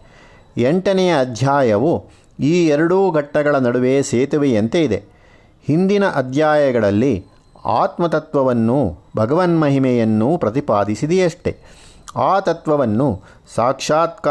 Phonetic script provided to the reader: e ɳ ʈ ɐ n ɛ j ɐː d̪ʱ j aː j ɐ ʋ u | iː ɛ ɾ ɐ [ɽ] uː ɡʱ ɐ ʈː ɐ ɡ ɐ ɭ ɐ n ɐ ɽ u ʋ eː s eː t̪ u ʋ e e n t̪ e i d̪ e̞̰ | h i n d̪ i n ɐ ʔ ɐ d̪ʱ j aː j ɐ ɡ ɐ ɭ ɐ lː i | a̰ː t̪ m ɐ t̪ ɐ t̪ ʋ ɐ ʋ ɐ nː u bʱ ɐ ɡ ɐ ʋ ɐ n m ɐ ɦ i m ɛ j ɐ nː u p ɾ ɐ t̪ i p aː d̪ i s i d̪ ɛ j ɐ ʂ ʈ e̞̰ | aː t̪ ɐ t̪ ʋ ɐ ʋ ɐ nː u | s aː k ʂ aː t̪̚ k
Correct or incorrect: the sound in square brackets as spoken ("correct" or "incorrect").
correct